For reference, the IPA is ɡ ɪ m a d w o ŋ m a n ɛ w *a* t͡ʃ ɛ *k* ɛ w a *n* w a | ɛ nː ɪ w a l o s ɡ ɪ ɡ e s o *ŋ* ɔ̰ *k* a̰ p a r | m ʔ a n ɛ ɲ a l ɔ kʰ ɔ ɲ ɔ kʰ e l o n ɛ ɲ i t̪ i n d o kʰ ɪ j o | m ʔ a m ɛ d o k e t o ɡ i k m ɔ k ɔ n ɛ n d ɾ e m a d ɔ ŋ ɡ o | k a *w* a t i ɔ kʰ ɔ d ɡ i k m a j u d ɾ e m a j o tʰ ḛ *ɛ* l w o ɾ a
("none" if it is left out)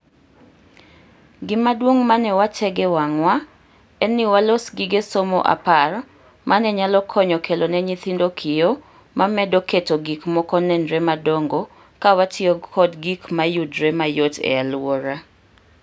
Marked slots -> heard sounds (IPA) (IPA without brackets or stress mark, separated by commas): a, ɡ, ŋ, m, ʔ, w, a